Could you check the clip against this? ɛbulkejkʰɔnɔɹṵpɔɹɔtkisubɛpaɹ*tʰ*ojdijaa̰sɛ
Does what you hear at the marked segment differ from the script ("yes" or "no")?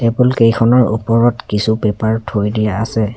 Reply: no